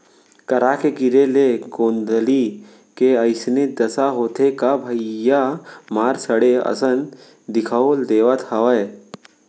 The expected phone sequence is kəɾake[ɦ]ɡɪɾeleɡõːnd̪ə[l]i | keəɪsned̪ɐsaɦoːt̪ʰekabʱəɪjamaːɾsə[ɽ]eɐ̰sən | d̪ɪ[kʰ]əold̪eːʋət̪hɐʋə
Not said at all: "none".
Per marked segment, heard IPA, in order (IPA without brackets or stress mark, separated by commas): none, l, ɽ, kʰ